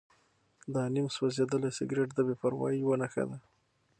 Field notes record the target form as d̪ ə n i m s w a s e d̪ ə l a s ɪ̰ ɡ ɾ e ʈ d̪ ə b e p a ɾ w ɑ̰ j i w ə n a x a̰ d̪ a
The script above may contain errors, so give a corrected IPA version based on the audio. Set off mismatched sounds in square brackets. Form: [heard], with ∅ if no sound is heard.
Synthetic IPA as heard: d̪ [ɑ] n i m s w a [z] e d̪ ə l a s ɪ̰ ɡ ɾ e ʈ d̪ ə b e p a ɾ w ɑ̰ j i w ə n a x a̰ d̪ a